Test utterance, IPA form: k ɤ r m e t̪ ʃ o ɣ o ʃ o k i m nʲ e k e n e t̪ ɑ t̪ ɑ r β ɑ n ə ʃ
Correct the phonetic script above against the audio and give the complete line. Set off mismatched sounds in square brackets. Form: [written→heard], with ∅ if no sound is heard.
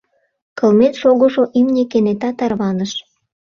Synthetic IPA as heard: k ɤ [r→l] m e t̪ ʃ o ɣ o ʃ o [k→ʔ] i m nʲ e k e n e t̪ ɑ t̪ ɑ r β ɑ n ə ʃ